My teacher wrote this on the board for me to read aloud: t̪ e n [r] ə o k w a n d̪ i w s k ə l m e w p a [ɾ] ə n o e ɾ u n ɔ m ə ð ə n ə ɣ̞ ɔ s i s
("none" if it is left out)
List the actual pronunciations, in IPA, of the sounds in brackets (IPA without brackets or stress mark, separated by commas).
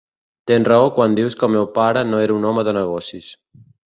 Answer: r, ɾ